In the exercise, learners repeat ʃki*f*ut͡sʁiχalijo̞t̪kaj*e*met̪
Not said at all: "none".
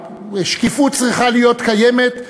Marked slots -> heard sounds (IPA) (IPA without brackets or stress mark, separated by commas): f, e